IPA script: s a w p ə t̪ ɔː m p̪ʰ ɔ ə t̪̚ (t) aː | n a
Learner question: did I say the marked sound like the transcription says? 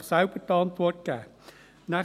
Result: no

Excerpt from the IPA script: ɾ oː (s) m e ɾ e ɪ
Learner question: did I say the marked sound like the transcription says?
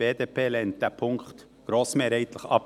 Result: yes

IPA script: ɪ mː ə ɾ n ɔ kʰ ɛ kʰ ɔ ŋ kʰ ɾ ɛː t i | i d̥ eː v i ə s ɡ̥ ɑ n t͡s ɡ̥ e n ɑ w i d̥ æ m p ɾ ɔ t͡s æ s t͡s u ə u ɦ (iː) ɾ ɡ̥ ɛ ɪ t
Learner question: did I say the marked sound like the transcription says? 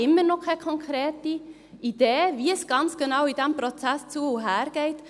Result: no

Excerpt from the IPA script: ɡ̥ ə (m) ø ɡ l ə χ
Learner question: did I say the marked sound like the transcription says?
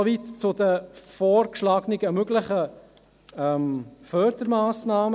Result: yes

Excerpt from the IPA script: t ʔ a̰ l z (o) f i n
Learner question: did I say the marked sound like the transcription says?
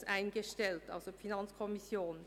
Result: yes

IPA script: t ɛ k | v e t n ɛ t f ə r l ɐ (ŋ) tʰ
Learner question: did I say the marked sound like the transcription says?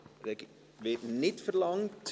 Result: yes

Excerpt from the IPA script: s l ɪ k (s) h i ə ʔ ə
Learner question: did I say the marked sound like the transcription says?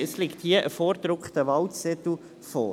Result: no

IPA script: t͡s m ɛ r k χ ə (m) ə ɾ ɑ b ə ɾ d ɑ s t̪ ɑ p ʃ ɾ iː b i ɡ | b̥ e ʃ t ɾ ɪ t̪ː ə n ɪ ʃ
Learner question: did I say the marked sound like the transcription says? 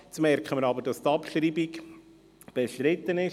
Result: yes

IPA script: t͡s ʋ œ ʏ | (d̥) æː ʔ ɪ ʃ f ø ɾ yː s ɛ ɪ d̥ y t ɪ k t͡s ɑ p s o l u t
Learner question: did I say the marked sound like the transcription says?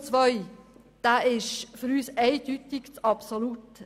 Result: yes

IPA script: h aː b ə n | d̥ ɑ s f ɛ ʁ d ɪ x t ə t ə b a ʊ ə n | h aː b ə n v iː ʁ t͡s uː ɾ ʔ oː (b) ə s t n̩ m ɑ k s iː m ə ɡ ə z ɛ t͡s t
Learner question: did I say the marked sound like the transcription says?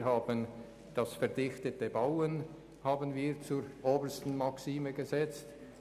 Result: yes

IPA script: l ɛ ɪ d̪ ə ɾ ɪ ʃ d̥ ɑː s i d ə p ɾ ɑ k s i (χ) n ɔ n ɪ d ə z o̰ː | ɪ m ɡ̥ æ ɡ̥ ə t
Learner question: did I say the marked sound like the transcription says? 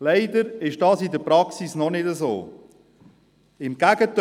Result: no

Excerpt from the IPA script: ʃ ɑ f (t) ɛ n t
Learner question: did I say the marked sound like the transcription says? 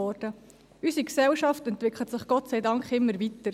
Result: yes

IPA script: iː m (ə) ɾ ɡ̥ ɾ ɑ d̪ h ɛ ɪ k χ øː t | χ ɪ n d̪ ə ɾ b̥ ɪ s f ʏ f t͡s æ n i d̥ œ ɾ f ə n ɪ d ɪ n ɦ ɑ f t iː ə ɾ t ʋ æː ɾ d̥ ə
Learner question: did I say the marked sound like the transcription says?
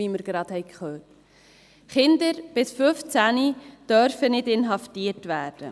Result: yes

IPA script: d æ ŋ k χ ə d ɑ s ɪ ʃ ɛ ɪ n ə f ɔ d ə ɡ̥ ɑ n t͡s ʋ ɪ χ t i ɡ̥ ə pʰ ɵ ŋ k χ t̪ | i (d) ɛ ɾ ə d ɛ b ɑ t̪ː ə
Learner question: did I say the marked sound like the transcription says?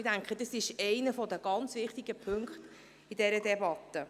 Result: yes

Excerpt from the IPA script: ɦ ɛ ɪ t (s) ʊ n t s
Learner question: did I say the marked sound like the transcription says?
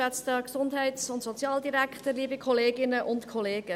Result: yes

